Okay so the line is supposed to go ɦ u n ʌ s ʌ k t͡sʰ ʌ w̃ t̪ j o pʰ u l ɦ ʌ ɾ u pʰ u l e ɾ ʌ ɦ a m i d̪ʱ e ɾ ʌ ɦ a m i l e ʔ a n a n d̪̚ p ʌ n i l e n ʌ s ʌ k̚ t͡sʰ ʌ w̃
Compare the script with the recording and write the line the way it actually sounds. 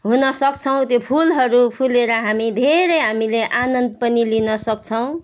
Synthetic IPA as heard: ɦ u n ʌ s ʌ k t͡sʰ ʌ w̃ t̪ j o pʰ u l ɦ ʌ ɾ u pʰ u l e ɾ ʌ ɦ a m i d̪ʱ e ɾ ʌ ɦ a m i l e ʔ a n ʌ n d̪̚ p ʌ n i l i n ʌ s ʌ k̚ t͡sʰ ʌ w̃

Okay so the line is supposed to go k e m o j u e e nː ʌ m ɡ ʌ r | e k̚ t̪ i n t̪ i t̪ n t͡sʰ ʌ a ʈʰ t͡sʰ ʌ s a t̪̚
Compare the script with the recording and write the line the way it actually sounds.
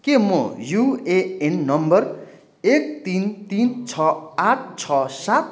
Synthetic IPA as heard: k e m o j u e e nː ʌ m b ʌ r | e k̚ t̪ i n t̪ i n t͡sʰ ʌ a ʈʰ t͡sʰ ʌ s a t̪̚

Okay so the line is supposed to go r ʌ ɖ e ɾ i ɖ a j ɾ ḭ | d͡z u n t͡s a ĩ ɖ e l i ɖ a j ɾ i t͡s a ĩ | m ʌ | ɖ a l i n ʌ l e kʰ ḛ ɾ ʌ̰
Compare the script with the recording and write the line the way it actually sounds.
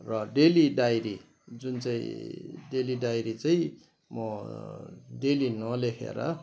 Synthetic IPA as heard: r ʌ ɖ e l i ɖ a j ɾ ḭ | d͡z u n t͡s a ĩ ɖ e l i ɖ a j ɾ i t͡s a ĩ | m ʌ | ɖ e l i n ʌ l e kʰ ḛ ɾ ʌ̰

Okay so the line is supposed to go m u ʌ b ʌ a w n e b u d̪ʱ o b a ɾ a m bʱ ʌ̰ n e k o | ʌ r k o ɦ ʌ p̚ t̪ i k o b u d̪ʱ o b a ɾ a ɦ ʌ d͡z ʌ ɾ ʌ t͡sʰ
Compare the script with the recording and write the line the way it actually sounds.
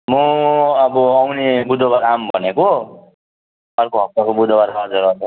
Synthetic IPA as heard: m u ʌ b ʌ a w n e b u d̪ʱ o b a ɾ a m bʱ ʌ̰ n e k o | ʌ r k o ɦ ʌ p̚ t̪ a k o b u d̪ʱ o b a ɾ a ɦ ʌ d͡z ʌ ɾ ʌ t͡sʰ

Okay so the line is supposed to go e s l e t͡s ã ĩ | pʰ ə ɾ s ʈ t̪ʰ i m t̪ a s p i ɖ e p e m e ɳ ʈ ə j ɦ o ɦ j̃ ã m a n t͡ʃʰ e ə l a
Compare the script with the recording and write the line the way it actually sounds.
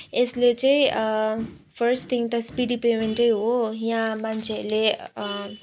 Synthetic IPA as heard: e s l e t͡s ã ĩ | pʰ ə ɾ s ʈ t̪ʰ i ŋ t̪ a s p i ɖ i p e m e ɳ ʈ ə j ɦ o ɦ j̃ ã m a n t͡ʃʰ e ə l e

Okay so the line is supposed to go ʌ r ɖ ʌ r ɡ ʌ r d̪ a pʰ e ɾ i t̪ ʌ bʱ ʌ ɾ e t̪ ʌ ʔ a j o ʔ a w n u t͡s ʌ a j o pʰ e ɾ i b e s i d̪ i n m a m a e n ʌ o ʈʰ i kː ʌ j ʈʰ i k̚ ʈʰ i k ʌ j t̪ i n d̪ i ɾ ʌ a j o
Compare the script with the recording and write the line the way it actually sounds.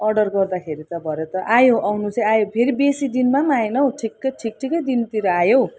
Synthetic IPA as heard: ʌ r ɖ ʌ r ɡ ʌ r d̪ a kʰ e ɾ i t̪ ʌ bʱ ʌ ɾ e t̪ ʌ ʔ a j o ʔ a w n u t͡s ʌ a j o pʰ e ɾ i b e s i d̪ i n m a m a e n ʌ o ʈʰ i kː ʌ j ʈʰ i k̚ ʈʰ i k ʌ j d̪ i n t̪ i ɾ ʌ a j o

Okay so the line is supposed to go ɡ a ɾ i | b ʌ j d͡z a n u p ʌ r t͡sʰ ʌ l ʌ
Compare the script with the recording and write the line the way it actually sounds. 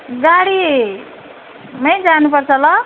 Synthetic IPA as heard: ɡ a ɽ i | m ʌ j d͡z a n u p ʌ r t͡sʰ ʌ l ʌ

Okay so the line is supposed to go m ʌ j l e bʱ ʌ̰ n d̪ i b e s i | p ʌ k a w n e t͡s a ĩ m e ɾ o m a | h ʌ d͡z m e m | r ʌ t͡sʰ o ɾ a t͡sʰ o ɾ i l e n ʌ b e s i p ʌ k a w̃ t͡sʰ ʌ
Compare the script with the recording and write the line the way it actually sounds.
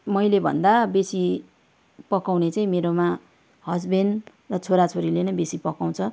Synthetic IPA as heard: m ʌ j l e bʱ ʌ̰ n d̪ a b e s i | p ʌ k a w n e t͡s a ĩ m e ɾ o m a | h ʌ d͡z b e n | r ʌ t͡sʰ o ɾ a t͡sʰ o ɾ i l e n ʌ b e s i p ʌ k a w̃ t͡sʰ ʌ

